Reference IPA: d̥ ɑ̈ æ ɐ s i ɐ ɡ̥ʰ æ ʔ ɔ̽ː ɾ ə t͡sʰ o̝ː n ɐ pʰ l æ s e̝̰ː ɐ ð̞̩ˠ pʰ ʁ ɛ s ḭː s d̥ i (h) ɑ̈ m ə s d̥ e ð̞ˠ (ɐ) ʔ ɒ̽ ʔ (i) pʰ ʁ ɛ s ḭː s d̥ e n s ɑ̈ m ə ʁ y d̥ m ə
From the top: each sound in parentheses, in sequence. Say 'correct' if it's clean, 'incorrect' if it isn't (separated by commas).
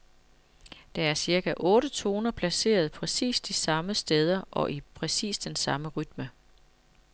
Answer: incorrect, correct, correct